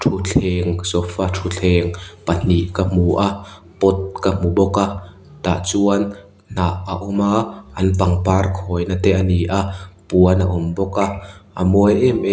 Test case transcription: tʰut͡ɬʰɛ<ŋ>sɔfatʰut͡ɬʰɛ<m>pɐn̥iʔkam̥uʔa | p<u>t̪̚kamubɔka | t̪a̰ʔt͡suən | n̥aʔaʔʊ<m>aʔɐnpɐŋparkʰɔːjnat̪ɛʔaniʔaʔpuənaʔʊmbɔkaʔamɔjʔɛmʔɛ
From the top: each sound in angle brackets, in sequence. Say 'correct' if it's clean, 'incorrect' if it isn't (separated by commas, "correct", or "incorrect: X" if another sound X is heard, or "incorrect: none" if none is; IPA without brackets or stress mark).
correct, incorrect: ŋ, incorrect: ɔ, correct